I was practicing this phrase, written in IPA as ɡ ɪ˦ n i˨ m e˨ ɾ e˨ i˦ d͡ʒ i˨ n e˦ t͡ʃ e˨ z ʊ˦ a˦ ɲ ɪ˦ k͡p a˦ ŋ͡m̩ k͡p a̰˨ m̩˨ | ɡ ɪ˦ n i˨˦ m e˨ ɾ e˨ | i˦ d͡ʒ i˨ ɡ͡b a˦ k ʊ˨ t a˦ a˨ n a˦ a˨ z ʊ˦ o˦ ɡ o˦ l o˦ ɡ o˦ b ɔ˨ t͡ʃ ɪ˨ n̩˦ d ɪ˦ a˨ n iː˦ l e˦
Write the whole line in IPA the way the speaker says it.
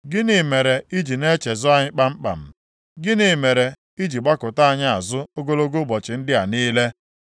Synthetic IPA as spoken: ɡ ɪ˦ n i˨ m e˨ ɾ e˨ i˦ d͡ʒ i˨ n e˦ t͡ʃ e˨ z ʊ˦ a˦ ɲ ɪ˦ k͡p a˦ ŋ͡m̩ k͡p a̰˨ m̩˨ | ɡ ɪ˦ n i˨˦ m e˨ ɾ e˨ | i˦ d͡ʒ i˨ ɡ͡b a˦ k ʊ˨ t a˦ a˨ ɲ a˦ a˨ z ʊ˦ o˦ ɡ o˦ l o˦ ɡ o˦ b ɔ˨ t͡ʃ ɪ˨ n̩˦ d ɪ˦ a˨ n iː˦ l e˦